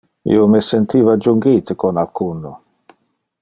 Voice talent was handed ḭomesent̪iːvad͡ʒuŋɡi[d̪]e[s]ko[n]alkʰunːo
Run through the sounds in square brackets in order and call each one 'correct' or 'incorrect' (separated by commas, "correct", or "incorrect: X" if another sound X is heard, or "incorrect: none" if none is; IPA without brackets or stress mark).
incorrect: t̪, incorrect: none, correct